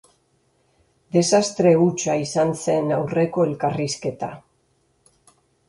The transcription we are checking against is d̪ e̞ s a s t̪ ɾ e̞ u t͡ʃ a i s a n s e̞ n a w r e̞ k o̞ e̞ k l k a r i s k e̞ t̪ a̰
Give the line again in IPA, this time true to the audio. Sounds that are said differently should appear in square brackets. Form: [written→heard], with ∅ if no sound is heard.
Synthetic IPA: d̪ e̞ s a s t̪ ɾ e̞ u t͡ʃ a i s a n s e̞ n a w r e̞ k o̞ e̞ [k→∅] l k a r i s k e̞ t̪ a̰